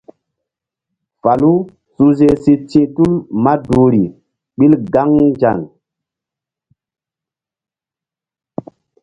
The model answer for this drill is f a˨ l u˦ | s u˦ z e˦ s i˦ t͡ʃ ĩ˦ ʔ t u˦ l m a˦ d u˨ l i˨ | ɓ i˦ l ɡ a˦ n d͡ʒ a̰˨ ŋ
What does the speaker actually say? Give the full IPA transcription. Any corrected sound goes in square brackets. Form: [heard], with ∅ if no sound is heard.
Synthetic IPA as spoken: f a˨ l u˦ | s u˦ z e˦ s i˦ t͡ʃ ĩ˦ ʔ t u˦ l m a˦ d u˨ [ɾ] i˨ | ɓ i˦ l ɡ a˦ [ŋ] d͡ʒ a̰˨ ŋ